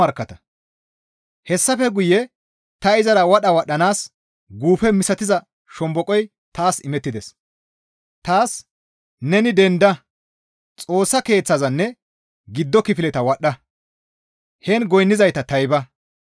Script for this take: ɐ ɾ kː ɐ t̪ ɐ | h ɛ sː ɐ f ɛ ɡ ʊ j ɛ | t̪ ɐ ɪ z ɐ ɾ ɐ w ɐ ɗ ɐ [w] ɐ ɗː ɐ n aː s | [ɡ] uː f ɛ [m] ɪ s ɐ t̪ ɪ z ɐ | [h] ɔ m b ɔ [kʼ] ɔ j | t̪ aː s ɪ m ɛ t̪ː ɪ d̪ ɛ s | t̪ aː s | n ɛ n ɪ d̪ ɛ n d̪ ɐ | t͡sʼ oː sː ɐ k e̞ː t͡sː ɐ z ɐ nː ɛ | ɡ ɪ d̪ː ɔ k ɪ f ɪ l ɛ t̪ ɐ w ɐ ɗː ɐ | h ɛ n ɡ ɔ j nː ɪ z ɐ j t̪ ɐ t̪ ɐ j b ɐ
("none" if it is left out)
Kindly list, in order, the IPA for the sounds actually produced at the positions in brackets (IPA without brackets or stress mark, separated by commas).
w, ɡ, m, ʃ, kʼ